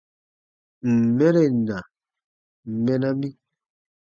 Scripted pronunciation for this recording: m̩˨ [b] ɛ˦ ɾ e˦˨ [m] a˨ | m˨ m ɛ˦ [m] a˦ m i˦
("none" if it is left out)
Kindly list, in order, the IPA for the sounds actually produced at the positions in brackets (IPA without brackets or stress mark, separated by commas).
m, n, n